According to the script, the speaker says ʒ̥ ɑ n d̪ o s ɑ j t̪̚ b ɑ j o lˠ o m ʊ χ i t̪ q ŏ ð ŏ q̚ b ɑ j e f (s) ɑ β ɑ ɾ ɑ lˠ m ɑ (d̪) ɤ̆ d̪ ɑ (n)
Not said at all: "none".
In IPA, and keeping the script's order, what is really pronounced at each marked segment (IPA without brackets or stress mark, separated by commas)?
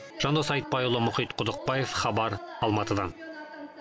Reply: χ, t̪, n